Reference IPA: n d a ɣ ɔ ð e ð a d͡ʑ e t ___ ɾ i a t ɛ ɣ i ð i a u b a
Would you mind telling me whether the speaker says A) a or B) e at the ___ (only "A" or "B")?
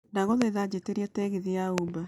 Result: B